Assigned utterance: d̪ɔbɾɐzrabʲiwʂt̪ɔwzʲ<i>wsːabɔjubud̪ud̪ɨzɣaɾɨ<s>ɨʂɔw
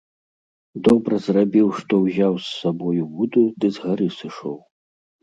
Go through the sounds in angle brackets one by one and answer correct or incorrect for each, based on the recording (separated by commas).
incorrect, correct